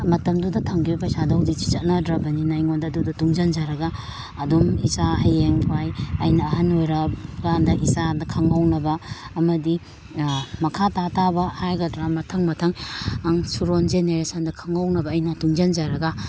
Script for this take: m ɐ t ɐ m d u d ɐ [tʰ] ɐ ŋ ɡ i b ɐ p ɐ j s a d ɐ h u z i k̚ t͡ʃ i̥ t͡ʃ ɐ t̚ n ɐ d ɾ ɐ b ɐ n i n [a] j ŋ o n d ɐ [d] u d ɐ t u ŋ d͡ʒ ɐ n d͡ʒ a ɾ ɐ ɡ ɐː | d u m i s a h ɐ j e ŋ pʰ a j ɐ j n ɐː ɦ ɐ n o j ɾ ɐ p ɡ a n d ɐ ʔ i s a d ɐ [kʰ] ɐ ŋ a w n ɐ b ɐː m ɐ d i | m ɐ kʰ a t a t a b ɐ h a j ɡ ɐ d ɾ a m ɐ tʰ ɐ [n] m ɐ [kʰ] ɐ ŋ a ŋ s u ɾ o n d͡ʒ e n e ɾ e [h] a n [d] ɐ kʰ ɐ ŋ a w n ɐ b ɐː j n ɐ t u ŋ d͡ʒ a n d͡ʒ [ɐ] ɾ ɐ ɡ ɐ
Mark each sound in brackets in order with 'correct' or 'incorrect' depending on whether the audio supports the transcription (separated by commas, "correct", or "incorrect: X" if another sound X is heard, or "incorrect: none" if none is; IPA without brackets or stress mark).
correct, correct, correct, correct, incorrect: ŋ, incorrect: tʰ, incorrect: s, correct, incorrect: a